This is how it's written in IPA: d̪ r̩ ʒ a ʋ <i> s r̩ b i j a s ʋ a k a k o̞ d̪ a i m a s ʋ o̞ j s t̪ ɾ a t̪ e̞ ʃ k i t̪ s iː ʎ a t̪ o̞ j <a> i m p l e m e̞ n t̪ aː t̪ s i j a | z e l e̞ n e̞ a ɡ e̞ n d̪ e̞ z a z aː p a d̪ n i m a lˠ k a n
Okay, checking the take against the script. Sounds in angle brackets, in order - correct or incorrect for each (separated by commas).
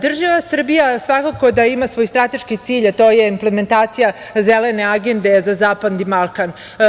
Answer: incorrect, incorrect